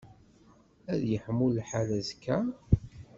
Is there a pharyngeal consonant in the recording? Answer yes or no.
yes